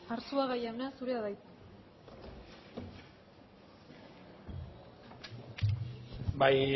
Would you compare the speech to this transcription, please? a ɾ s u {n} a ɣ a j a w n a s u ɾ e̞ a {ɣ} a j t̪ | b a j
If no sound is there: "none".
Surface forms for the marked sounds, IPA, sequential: none, ð

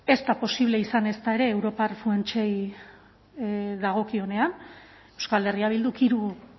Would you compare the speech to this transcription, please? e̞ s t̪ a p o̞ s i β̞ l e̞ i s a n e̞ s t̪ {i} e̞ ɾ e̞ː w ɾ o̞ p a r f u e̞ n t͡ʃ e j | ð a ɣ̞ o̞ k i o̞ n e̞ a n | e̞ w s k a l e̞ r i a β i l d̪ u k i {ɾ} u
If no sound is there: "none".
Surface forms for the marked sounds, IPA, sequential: a, ɾ

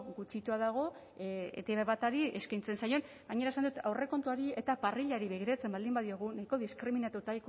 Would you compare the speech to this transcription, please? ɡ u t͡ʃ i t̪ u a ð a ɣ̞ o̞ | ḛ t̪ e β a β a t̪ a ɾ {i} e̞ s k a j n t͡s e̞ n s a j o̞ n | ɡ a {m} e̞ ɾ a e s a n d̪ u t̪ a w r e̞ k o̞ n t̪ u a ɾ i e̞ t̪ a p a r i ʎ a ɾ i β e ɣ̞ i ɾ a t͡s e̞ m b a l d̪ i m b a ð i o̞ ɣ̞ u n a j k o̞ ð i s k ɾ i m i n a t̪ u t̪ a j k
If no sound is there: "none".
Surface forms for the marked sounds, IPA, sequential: i, ɲ

